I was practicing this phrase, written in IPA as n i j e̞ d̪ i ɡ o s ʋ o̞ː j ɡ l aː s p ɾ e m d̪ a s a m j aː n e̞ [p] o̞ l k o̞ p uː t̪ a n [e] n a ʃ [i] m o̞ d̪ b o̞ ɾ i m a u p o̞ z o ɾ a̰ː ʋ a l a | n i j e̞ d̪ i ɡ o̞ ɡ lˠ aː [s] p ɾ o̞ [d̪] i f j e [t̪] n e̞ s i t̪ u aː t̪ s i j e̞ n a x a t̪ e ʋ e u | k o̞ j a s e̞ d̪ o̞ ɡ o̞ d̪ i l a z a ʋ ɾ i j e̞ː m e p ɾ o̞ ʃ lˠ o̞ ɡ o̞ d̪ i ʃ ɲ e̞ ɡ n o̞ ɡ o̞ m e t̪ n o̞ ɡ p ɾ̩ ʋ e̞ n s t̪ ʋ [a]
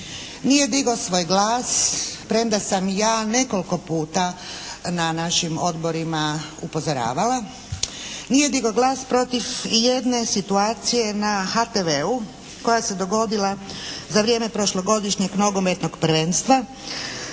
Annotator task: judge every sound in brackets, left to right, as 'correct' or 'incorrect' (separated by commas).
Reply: incorrect, incorrect, correct, correct, incorrect, incorrect, correct